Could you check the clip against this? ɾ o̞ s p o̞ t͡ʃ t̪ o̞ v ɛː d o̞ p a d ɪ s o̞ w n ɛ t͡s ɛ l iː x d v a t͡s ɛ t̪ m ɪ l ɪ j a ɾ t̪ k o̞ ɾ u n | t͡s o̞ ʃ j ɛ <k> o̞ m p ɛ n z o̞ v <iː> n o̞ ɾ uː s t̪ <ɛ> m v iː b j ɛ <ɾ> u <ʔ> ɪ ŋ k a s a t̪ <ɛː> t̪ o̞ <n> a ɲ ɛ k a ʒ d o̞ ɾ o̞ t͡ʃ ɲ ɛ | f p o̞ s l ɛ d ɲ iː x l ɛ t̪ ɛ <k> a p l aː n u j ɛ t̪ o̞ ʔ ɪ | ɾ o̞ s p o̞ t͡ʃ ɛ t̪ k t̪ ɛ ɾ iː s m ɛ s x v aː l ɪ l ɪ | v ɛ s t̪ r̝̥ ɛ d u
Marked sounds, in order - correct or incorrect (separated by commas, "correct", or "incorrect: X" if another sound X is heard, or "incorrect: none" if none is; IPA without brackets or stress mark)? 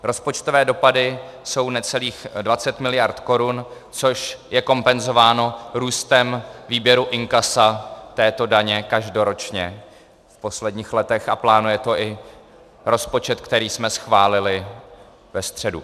correct, incorrect: aː, correct, correct, correct, correct, incorrect: d, incorrect: x